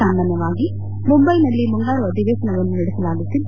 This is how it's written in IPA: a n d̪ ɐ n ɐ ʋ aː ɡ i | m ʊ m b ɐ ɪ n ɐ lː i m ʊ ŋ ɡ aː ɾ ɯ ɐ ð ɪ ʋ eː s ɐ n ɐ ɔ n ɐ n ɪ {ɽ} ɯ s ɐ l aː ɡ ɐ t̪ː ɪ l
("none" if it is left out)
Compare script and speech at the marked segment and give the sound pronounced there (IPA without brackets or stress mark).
ɽ